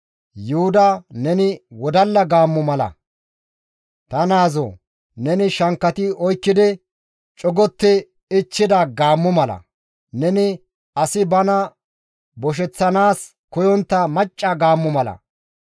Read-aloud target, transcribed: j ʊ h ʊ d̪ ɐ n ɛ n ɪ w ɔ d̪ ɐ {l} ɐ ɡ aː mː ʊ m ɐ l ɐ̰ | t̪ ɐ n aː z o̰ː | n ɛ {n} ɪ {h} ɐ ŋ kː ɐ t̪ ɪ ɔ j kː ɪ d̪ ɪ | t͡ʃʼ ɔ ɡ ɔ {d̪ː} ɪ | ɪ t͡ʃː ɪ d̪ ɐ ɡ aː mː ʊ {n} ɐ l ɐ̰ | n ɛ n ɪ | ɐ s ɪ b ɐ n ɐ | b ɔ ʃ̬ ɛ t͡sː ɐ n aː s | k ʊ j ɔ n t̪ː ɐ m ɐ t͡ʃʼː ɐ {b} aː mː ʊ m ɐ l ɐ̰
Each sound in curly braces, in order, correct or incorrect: incorrect: lː, correct, incorrect: ʃ, incorrect: t̪ː, incorrect: m, incorrect: ɡ

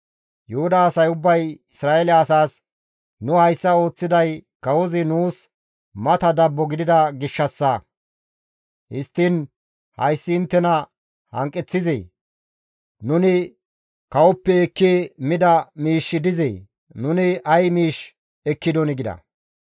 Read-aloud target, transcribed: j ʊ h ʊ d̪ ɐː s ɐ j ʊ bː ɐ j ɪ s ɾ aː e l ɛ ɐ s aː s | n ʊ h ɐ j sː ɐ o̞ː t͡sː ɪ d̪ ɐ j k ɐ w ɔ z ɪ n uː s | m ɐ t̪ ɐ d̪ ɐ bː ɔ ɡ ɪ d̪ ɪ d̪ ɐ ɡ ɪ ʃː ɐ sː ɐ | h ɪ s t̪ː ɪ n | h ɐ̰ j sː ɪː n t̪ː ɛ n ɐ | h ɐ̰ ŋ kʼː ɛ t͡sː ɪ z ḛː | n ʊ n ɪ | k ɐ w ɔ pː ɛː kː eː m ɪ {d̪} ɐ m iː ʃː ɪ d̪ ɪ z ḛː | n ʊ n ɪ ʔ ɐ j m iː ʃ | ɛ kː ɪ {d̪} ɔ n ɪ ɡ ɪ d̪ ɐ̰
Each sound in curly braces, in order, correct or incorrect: correct, correct

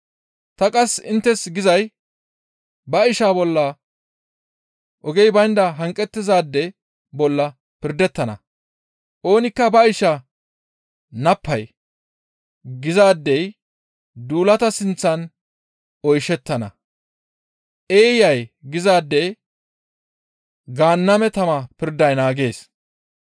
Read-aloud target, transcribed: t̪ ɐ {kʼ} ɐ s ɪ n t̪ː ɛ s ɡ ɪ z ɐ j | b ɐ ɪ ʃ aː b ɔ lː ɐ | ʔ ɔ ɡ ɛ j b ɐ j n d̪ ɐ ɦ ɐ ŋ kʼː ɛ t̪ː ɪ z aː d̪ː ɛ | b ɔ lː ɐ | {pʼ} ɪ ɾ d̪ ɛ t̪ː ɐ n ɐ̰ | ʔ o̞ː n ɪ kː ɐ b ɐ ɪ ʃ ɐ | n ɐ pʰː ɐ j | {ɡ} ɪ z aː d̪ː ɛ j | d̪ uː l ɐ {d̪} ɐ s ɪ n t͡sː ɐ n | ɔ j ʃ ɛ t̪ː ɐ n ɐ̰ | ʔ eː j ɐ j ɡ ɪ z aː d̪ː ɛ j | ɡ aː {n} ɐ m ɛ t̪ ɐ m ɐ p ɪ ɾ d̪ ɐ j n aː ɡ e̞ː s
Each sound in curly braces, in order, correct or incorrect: correct, incorrect: p, correct, incorrect: t̪, incorrect: nː

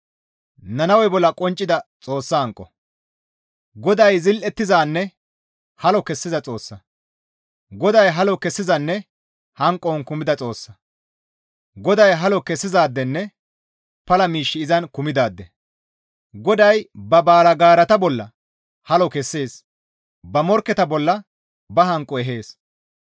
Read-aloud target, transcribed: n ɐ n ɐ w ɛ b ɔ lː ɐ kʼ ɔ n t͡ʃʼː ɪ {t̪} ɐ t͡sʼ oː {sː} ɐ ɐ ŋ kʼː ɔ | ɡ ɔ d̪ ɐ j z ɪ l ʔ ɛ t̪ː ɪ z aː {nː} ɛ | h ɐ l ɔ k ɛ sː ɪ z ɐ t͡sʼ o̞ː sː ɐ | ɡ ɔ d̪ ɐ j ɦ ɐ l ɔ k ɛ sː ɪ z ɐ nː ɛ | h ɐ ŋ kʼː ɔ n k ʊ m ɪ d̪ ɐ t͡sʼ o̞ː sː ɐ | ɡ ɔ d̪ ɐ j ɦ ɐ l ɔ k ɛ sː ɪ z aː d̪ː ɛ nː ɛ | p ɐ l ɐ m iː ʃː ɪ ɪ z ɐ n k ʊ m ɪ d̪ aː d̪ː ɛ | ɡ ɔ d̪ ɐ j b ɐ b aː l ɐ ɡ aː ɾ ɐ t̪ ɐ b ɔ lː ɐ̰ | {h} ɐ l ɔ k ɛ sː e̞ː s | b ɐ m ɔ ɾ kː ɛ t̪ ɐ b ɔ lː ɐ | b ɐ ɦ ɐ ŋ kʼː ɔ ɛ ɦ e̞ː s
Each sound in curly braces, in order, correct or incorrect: incorrect: d̪, correct, correct, correct

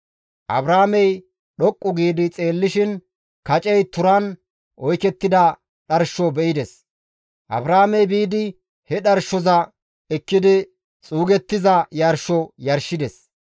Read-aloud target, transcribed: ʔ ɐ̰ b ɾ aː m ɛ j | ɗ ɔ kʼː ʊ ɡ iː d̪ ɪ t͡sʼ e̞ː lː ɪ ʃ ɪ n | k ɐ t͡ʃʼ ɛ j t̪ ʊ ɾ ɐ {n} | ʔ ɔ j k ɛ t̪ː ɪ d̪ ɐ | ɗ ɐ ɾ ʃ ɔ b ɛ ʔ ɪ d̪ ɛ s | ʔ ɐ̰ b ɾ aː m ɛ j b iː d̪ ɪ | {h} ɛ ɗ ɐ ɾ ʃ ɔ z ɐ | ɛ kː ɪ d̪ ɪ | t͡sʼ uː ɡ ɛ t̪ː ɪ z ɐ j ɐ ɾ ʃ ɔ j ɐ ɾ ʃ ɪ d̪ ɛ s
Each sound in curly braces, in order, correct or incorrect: correct, correct

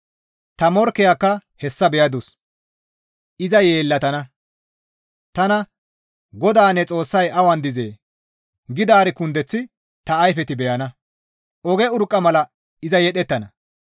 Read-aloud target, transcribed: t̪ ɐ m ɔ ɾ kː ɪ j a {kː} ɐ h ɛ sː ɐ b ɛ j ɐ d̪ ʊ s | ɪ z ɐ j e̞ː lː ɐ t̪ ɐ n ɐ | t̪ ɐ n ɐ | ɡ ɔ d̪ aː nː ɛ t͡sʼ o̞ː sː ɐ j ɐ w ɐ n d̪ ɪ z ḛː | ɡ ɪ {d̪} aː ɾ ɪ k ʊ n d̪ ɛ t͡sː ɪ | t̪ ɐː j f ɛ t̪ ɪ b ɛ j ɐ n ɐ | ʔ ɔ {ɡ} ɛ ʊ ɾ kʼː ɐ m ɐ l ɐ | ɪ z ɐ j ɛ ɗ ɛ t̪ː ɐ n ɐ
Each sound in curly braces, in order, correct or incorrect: correct, correct, correct

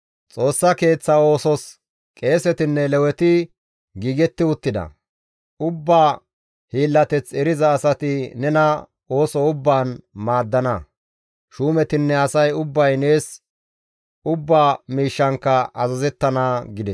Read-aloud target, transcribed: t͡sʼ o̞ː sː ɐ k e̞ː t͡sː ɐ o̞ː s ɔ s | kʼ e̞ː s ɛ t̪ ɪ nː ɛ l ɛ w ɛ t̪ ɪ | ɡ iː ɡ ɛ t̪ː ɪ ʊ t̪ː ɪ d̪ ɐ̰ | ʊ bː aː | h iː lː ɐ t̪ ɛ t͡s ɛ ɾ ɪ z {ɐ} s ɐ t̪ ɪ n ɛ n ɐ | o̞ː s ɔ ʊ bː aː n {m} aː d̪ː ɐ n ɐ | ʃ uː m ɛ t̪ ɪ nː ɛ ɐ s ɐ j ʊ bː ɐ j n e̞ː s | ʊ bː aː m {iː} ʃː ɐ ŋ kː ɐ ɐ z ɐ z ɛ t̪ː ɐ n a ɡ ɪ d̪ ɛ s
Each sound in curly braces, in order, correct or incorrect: incorrect: ɐː, correct, correct

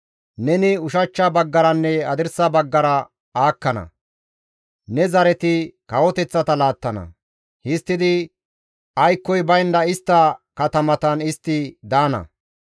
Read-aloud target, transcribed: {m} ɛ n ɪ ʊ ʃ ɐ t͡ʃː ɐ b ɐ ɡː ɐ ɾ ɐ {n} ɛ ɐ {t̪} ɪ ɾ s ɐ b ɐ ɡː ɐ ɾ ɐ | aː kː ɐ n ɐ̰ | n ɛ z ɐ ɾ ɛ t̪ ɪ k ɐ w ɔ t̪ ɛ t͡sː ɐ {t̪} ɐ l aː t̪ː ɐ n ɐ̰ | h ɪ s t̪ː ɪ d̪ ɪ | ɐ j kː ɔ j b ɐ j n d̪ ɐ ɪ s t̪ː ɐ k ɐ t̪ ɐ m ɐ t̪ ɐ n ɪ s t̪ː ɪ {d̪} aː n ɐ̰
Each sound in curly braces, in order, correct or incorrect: incorrect: n, incorrect: nː, incorrect: d̪, correct, correct

